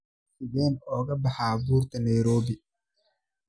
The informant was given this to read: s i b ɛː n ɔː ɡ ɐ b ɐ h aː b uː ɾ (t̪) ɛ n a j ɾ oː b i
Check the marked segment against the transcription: correct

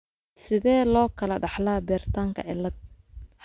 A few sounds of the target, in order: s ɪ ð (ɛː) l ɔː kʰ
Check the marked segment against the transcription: correct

